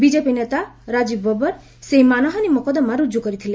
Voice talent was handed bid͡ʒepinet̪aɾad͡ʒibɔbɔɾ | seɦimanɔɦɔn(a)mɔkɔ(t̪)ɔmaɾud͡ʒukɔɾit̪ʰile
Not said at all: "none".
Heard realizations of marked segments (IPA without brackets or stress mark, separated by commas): i, d̪